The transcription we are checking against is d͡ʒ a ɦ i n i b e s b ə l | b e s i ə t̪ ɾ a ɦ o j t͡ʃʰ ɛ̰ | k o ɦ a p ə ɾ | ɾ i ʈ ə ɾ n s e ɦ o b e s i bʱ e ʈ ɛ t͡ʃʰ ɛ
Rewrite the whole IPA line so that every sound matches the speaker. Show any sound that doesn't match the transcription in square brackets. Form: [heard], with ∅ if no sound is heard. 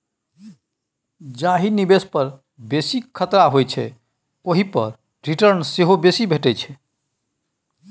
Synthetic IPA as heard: d͡ʒ a ɦ i n i b e s [p] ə [ɾ] | b e s i ə t̪ ɾ a ɦ o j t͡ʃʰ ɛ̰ | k o ɦ [i] p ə ɾ | ɾ i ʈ ə ɾ n s e ɦ o b e s i bʱ e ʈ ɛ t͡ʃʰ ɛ